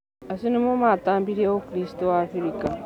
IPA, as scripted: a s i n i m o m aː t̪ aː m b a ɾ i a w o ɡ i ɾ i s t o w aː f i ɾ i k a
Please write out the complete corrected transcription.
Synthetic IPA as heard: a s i n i m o m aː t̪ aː m b i ɾ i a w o k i ɾ i s t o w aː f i ɾ i k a